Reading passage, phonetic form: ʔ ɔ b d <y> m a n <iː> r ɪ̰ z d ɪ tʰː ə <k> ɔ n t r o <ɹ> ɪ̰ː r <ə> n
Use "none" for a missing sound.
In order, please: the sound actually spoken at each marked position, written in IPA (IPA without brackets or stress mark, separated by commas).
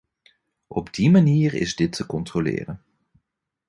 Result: i, iː, k, l, ə